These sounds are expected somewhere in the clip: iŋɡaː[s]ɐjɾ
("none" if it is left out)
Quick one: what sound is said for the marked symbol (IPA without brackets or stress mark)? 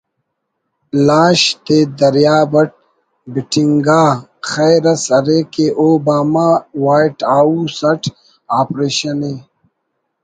x